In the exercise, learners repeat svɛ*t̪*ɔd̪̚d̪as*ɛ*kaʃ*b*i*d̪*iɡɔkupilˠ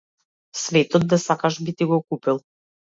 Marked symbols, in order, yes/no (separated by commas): yes, no, yes, no